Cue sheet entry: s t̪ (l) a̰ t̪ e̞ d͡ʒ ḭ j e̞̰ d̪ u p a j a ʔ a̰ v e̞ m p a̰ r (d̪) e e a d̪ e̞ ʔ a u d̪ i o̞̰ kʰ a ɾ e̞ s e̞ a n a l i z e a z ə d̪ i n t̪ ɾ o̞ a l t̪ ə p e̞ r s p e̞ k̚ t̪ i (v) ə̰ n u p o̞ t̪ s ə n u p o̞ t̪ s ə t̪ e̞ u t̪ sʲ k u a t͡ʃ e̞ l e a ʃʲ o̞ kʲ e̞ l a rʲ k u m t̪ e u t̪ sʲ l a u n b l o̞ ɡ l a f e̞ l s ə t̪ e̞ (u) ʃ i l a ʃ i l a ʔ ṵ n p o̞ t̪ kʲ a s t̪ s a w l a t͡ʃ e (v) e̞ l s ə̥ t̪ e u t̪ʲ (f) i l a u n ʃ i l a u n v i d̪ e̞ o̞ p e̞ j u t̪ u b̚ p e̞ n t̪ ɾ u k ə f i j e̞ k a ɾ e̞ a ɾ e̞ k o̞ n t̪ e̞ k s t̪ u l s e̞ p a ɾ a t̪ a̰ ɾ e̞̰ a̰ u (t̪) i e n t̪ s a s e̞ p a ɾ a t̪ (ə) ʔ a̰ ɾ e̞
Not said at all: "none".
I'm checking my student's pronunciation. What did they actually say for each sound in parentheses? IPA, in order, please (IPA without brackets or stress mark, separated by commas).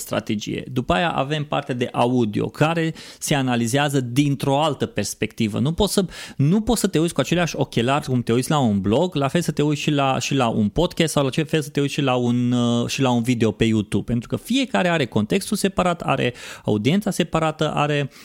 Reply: ɾ, t̪, v, u, f, ʃ, d̪, ə